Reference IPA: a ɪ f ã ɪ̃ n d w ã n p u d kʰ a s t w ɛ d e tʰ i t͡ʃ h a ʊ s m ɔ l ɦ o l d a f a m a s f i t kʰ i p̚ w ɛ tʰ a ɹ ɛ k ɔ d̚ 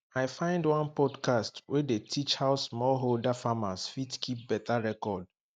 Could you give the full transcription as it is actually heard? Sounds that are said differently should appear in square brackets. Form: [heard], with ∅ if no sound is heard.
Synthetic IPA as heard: a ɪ f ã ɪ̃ n d w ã n p [ɔ] d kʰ a s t w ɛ d e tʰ i t͡ʃ h a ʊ s m ɔ l ɦ o l d a f a m a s f i t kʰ i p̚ [b] ɛ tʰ a ɹ ɛ k ɔ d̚